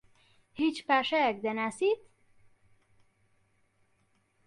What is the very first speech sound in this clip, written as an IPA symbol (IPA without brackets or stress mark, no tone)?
h